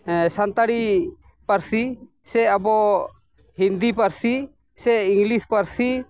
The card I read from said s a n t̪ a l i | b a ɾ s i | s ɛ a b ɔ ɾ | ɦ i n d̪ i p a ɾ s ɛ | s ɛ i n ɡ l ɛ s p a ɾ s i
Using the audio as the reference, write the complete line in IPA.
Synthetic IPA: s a n t̪ a ɽ i | p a ɾ s i | s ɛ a b ɔ | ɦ i n d̪ i p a ɾ s i | s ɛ i ŋ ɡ l i s p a ɾ s i